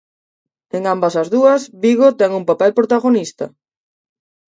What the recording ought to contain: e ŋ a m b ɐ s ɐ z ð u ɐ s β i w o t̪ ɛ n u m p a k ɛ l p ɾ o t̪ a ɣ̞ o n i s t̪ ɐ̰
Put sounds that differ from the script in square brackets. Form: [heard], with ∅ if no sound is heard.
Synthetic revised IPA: e ŋ a m b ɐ s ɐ z ð u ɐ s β i [ɣ] o t̪ ɛ [ŋ] u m p a [p] ɛ l p ɾ o t̪ a ɣ̞ o n i s t̪ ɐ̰